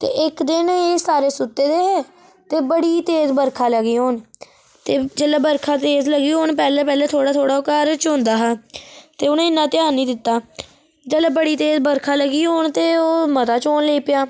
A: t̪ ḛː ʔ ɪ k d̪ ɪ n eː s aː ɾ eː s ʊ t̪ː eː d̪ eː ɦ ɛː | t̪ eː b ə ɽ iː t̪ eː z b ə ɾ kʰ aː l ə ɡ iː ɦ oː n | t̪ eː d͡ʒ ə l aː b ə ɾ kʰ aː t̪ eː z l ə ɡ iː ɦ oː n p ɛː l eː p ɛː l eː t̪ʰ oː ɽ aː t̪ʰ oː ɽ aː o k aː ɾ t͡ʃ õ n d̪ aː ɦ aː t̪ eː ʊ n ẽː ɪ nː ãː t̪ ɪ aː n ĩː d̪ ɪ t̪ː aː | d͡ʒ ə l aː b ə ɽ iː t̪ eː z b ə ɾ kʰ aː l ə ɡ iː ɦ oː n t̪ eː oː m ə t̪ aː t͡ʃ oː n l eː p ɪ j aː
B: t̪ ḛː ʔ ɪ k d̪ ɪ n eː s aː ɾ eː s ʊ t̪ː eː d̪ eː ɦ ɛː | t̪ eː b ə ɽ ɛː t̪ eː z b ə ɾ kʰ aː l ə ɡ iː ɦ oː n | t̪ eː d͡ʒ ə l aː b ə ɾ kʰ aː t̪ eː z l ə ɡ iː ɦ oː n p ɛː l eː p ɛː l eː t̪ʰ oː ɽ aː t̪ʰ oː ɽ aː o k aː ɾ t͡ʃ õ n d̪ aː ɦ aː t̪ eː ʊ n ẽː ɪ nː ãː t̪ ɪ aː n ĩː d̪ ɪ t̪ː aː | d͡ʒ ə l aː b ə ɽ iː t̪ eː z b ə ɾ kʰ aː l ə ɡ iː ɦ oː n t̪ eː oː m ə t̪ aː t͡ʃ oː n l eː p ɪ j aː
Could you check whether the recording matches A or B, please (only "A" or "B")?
A